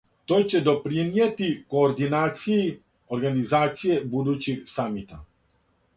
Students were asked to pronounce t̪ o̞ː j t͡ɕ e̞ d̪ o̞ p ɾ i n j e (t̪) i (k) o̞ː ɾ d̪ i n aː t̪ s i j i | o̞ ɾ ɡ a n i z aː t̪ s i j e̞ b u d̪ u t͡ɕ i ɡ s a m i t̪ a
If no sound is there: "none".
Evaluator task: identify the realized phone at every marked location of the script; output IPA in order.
t̪, k

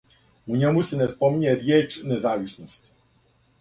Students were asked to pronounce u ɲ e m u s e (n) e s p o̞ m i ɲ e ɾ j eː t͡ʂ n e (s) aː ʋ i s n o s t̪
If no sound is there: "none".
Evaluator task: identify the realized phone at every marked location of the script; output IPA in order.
n, z

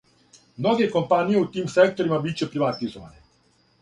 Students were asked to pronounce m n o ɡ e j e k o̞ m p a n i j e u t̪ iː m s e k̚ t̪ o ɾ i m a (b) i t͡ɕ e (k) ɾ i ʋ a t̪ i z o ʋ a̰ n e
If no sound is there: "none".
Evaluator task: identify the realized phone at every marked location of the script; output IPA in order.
b, p

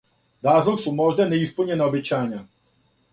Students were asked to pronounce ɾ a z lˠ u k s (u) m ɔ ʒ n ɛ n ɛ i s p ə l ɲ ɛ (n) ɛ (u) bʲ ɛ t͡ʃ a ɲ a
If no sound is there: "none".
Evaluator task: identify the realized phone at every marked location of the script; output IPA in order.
u, n, ɔ

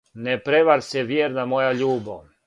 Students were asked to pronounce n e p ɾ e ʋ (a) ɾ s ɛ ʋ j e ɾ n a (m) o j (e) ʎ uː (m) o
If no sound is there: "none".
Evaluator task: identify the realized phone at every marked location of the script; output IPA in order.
a, m, a, b

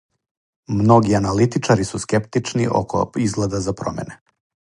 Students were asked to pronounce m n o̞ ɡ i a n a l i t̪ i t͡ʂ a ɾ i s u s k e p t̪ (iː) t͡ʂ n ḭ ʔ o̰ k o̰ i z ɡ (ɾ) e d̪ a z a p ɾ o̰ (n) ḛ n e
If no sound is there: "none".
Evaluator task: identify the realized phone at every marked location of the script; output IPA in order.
i, l, m

